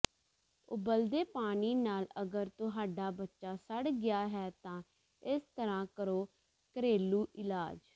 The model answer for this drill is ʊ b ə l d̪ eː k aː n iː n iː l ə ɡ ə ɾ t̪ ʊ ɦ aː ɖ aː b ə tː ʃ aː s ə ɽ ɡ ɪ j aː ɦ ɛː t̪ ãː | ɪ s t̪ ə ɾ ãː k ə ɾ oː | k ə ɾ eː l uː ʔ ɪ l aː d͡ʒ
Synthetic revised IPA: ʊ b ə l d̪ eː p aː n iː n aː l ə ɡ ə ɾ t̪ ʊ ɦ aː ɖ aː b ə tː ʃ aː s ə ɽ ɡ ɪ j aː ɦ ɛː t̪ ãː | ɪ s t̪ ə ɾ ãː k ə ɾ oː | k ə ɾ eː l uː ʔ ɪ l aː d͡ʒ